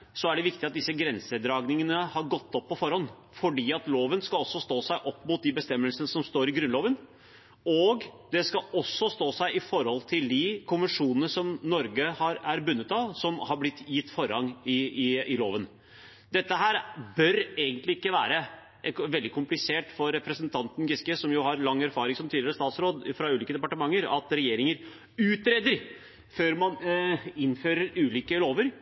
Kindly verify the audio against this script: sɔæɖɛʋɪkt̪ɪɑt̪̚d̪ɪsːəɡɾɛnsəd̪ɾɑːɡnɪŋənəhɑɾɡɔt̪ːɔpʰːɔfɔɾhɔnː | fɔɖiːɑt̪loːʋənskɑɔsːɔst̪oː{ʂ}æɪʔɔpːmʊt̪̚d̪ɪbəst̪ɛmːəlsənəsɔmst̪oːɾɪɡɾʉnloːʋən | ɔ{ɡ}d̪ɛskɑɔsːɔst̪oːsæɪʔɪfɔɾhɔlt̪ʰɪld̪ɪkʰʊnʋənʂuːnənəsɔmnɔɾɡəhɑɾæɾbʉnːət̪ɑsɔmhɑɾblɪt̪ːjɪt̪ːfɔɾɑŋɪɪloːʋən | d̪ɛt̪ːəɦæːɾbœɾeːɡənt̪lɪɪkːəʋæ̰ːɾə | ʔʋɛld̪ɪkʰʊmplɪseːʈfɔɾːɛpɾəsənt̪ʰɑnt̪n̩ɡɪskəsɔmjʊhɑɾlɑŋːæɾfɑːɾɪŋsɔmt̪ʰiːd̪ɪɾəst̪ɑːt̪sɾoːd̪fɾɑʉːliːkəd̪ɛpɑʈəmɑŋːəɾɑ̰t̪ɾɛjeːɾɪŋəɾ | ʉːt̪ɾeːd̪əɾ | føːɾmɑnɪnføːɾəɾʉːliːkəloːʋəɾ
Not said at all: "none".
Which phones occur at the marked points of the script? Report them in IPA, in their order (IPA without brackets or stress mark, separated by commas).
s, ɡ